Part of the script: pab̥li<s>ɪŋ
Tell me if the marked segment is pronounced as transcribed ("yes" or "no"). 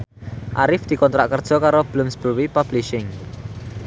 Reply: no